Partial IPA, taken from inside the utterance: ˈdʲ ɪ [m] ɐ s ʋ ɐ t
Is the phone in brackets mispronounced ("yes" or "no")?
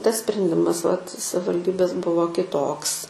no